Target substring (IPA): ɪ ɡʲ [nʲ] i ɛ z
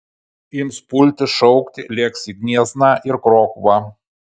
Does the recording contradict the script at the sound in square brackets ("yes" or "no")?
no